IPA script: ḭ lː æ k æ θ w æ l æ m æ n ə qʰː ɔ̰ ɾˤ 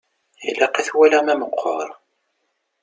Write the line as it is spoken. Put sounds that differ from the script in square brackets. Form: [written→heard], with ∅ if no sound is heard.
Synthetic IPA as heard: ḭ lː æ [k→q] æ θ w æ l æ m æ [n→m] ə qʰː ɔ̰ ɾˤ